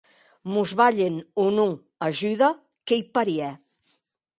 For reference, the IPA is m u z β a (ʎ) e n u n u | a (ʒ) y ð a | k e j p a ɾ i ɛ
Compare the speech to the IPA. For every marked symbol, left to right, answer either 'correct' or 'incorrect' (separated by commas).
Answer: correct, correct